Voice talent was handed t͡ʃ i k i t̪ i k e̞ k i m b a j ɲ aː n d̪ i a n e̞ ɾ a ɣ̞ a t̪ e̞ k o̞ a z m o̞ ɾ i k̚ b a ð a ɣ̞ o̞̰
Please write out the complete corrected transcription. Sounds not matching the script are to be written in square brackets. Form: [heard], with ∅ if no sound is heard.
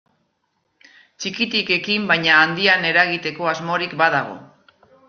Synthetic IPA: t͡ʃ i k i t̪ i k e̞ k i m b a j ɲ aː n d̪ i a n e̞ ɾ a ɣ̞ [i] t̪ e̞ k o̞ a z m o̞ ɾ i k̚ b a ð a ɣ̞ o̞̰